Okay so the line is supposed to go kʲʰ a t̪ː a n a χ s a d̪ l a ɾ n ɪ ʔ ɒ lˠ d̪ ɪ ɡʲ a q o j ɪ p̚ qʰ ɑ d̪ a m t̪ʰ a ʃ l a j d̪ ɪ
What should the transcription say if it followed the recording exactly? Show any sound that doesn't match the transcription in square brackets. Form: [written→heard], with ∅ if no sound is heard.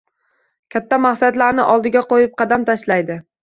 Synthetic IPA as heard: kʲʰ a t̪ː a [n→m] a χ s a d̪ l a ɾ n ɪ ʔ ɒ lˠ d̪ ɪ ɡʲ a q o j ɪ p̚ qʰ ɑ d̪ a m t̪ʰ a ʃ l a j d̪ ɪ